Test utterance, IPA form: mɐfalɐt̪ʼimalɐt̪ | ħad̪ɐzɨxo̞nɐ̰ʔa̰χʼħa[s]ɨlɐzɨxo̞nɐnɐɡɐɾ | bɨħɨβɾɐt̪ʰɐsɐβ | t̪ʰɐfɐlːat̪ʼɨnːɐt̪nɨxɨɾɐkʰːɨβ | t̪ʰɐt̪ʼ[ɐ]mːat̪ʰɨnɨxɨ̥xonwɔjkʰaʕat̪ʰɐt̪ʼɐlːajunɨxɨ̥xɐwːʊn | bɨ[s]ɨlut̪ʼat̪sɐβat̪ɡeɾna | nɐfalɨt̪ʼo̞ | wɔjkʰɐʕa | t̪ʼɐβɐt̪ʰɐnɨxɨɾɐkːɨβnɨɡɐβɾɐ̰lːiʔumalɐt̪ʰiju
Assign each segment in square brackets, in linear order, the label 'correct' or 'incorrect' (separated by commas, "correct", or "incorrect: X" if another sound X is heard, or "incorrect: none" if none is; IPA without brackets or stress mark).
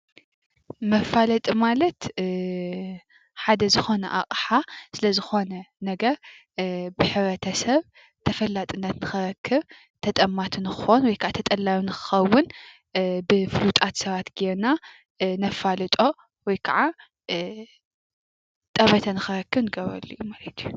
correct, correct, incorrect: f